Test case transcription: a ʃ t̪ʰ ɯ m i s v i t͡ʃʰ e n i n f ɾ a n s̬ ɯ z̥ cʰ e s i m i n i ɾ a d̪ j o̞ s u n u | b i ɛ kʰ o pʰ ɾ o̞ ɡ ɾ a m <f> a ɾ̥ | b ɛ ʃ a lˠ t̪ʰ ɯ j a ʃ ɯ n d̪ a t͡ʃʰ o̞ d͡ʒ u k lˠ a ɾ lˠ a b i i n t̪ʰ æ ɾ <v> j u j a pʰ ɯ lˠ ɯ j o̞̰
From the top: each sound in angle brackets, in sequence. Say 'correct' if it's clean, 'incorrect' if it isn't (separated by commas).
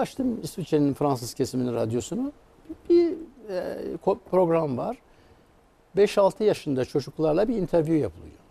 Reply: incorrect, correct